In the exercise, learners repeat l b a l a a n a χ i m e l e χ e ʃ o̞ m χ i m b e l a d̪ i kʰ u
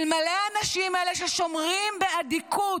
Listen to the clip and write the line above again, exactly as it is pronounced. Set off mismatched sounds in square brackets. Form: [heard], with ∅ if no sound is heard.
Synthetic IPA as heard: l [m] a l [e] a n a [ʃ] i m e l e [ʃ] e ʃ o̞ m [ʁ] i m b e [∅] a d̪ i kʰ u